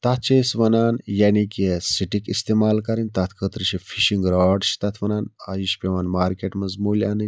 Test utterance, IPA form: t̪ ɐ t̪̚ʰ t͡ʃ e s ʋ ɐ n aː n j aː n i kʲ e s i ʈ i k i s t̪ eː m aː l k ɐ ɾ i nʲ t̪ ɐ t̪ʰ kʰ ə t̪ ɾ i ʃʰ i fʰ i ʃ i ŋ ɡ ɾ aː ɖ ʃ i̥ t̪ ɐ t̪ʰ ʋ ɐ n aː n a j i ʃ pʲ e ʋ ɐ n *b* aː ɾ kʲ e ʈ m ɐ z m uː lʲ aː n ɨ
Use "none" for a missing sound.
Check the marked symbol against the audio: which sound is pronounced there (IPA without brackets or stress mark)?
m